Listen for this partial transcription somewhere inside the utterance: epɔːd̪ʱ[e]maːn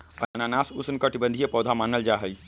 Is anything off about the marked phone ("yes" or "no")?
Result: yes